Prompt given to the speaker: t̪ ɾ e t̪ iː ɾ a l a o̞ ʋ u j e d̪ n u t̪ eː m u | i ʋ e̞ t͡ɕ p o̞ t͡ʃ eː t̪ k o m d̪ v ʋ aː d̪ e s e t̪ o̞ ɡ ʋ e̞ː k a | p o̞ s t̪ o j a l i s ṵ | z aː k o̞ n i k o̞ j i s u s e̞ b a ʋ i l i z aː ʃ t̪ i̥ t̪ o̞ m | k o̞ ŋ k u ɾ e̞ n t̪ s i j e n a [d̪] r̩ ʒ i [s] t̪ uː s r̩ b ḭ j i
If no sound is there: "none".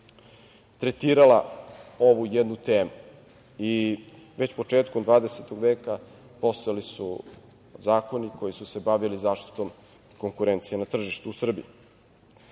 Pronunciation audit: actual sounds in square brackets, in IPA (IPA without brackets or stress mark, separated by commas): t̪, ʃ